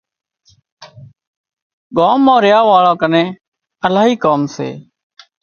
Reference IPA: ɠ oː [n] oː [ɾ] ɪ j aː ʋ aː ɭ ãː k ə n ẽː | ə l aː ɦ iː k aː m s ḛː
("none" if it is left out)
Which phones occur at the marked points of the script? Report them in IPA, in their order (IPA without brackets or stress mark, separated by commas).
m, ɾ